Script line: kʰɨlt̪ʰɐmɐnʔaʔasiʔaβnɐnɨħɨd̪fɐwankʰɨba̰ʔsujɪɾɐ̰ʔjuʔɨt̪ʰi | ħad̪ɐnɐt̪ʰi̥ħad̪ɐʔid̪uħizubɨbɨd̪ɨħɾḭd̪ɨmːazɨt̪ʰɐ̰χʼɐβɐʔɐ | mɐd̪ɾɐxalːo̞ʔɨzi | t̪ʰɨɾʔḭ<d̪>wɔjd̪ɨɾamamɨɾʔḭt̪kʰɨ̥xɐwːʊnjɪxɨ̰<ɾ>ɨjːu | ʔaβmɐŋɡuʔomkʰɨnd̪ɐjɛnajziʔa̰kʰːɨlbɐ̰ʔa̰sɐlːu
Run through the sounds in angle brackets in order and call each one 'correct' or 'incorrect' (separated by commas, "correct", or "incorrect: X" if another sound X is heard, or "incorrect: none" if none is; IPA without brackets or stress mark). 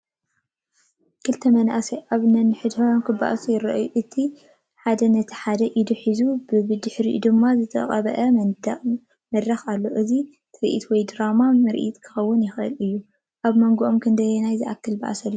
incorrect: t̪, incorrect: l